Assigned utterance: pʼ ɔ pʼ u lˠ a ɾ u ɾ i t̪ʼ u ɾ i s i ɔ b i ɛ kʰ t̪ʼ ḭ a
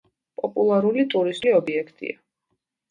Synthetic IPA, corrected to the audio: pʼ ɔ pʼ u lˠ a ɾ u l i t̪ʼ u ɾ i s i ɔ b i ɛ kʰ t̪ʼ ḭ a